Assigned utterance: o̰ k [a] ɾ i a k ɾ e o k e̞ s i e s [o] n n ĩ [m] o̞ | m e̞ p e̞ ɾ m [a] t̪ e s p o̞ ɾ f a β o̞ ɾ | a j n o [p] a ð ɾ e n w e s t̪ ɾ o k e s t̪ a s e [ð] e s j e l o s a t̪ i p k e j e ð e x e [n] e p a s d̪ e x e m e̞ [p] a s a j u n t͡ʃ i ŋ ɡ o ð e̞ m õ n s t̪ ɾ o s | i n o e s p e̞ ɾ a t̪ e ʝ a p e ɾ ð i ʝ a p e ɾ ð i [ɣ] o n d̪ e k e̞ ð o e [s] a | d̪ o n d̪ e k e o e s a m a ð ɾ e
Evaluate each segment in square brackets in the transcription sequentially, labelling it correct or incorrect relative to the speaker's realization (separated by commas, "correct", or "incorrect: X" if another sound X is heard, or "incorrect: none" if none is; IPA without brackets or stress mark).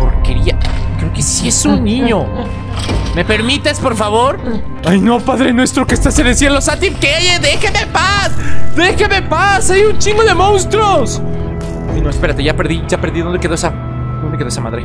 incorrect: e, incorrect: u, incorrect: ɲ, incorrect: i, correct, correct, incorrect: m, correct, incorrect: ð, correct